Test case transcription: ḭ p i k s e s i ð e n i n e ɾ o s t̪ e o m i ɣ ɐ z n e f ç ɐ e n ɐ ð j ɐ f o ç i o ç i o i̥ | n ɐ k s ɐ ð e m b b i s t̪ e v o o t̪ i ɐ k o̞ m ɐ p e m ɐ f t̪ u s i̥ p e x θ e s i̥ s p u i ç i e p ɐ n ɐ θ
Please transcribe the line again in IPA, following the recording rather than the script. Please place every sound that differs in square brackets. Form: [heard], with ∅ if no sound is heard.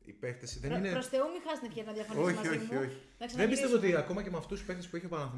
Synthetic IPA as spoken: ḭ p [e] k [θ] e s i ð e n i n e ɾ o s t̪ e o m i [x] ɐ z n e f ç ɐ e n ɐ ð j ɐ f o ç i o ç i o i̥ | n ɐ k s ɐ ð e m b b i s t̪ e v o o t̪ i ɐ k o̞ m ɐ [c] e m ɐ f t̪ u s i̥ p e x θ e s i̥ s p u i ç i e p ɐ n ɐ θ